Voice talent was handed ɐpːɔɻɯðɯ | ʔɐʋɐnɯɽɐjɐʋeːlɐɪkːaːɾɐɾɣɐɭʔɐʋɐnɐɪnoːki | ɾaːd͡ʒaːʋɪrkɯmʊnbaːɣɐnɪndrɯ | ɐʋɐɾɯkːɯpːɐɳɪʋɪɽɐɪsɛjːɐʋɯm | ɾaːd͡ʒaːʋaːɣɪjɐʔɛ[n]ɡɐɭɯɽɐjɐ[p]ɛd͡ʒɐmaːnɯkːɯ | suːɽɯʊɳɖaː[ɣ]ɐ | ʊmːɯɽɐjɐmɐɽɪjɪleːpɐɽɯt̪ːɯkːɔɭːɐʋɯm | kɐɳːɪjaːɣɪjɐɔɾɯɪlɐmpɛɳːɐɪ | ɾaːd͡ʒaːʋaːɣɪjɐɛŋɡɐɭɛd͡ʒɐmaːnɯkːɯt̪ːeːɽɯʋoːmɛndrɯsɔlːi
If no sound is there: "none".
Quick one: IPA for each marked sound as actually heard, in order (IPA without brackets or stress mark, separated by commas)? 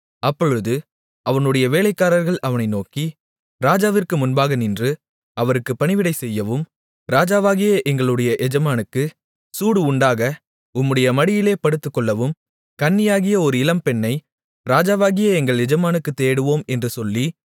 ŋ, ʔ, ɣ